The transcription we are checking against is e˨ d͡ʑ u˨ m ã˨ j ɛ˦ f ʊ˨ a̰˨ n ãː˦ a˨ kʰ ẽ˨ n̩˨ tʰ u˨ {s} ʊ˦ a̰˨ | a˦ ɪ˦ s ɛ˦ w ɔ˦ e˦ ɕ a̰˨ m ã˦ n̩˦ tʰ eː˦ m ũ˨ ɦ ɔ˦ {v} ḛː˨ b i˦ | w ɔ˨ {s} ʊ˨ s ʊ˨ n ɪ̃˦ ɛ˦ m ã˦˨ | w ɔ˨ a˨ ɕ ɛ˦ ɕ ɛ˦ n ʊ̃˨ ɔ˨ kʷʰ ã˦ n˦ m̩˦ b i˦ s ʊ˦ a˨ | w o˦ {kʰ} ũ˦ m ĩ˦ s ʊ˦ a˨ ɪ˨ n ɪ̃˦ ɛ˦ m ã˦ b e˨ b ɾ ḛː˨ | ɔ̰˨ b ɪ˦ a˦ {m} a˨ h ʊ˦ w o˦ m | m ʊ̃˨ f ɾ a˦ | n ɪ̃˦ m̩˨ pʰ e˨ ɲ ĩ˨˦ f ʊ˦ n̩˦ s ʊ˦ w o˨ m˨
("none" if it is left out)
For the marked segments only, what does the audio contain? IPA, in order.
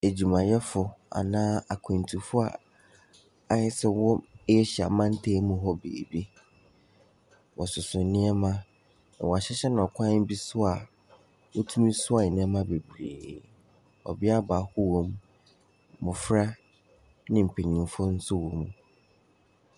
f, b, s, tʰ, b

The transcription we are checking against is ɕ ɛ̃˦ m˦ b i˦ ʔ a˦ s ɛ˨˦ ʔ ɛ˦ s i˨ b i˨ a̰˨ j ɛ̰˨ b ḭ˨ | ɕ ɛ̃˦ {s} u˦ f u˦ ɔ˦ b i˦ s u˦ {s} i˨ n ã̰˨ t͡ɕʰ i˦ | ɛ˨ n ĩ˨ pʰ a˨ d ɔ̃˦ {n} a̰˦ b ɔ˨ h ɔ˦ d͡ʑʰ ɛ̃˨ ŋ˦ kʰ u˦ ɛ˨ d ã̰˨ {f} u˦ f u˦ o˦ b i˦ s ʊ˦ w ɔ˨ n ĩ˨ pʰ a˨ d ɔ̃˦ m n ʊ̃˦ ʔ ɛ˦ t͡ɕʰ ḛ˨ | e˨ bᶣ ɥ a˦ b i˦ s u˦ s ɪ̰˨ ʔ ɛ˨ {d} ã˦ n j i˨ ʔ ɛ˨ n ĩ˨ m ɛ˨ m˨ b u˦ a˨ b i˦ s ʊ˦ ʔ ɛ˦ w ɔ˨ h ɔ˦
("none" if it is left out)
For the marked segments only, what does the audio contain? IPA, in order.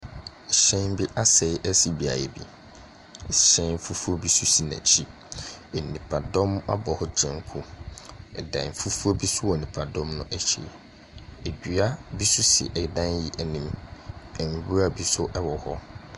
f, s, m, f, d

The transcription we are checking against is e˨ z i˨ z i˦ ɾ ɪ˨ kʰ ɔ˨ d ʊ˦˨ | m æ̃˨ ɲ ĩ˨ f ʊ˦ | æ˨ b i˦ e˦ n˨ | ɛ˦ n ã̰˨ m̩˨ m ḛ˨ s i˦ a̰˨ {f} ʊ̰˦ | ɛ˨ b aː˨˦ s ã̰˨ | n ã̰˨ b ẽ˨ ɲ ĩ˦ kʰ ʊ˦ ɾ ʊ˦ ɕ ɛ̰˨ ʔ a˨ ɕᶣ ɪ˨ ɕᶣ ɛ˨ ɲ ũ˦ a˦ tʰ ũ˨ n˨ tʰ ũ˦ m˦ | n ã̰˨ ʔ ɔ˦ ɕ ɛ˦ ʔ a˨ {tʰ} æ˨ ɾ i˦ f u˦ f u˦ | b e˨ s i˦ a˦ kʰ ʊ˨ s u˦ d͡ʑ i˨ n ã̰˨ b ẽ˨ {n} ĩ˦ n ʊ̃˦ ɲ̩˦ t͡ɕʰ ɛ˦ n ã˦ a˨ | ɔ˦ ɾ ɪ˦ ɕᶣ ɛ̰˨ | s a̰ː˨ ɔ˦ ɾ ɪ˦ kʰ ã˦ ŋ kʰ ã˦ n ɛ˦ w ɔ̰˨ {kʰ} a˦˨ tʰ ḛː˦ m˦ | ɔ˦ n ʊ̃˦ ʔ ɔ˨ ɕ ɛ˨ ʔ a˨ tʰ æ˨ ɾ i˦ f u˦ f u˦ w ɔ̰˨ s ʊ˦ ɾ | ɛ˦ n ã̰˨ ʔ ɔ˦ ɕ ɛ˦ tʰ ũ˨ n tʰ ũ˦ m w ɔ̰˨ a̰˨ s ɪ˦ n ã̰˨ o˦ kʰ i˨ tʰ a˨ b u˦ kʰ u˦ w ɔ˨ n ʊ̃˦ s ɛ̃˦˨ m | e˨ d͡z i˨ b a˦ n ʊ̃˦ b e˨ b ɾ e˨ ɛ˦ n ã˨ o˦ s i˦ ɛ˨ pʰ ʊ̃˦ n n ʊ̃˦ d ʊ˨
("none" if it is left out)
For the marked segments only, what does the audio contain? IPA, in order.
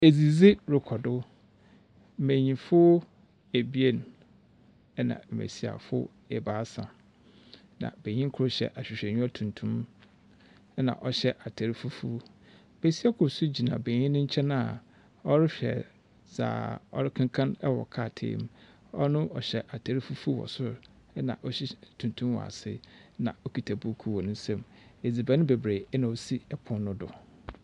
f, tʰ, ɲ, kʰ

